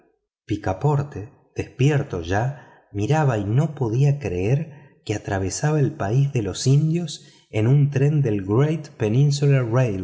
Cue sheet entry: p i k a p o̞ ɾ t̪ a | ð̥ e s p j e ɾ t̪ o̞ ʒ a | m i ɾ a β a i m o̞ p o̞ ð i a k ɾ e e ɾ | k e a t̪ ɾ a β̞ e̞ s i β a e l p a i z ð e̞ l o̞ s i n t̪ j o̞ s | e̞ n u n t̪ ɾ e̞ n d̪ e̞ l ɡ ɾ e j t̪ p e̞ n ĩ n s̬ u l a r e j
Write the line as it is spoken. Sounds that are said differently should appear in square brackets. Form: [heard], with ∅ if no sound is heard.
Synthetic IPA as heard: p i k a p o̞ ɾ t̪ [e] | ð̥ e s p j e ɾ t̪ o̞ ʒ a | m i ɾ a β a i [n] o̞ p o̞ ð i a k ɾ e e ɾ | k e a t̪ ɾ a β̞ e̞ s [a] β a e l p a i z ð e̞ l o̞ s i n [d̪] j o̞ s | e̞ n u n t̪ ɾ e̞ n d̪ e̞ l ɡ ɾ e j t̪ p e̞ n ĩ n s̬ u l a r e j